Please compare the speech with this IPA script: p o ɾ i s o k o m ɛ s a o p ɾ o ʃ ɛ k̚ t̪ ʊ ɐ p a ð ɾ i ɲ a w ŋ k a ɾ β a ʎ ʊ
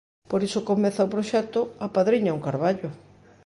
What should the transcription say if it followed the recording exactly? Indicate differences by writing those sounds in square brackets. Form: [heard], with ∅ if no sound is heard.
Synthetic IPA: p o ɾ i s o k o m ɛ [θ] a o p ɾ o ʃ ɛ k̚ t̪ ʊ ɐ p a ð ɾ i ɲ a [u] ŋ k a ɾ β a ʎ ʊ